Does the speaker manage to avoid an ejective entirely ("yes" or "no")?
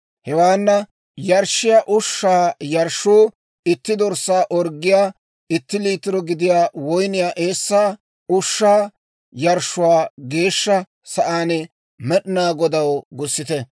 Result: yes